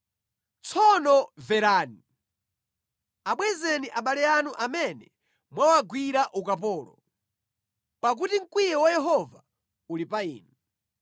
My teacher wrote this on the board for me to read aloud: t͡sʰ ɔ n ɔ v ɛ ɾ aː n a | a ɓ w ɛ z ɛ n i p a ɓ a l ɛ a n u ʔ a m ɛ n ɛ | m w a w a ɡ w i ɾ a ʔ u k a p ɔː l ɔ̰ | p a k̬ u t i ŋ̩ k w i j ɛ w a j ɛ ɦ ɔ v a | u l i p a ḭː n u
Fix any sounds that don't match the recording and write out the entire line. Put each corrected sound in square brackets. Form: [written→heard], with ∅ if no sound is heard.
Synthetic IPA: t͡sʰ ɔ n ɔ v ɛ ɾ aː n [a→i] | a ɓ w ɛ z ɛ n i [p→ʔ] a ɓ a l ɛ a n u ʔ a m ɛ n ɛ | m w a w a ɡ w i ɾ a ʔ u k a p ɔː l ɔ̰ | p a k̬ u t i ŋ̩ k w i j ɛ w a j ɛ ɦ ɔ v a | u l i p a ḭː n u